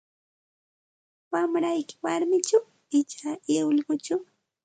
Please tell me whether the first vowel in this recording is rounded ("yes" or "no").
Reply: no